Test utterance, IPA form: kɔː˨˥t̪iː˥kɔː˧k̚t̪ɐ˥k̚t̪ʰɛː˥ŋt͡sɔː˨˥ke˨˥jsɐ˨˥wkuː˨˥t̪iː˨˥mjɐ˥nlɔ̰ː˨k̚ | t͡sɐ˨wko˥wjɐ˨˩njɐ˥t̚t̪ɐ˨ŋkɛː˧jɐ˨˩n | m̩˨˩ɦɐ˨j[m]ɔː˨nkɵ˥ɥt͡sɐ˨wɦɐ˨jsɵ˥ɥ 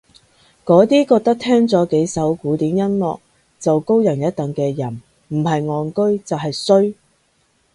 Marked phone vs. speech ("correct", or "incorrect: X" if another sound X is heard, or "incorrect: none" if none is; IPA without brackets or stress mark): incorrect: ŋ